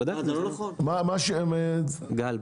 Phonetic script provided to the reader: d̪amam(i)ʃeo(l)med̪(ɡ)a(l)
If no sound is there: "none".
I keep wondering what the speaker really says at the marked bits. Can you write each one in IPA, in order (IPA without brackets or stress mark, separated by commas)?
a, none, ɡ, l